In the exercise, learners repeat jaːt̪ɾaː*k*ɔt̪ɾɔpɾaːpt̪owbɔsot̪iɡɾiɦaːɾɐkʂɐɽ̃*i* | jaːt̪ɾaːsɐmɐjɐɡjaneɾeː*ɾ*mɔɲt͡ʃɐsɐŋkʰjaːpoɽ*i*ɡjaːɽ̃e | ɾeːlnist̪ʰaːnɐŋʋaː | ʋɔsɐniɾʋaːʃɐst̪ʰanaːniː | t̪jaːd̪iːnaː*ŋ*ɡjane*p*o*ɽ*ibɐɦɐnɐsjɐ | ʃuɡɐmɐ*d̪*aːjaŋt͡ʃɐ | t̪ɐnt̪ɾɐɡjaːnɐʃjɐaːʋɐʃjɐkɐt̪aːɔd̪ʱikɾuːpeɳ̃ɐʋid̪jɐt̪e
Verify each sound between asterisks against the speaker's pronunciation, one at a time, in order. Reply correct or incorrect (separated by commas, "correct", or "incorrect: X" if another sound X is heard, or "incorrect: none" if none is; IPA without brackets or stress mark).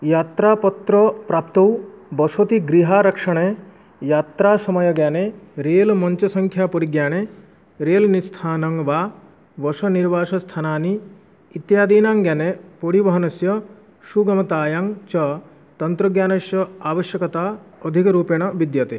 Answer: incorrect: p, incorrect: e, incorrect: l, correct, correct, correct, correct, incorrect: t̪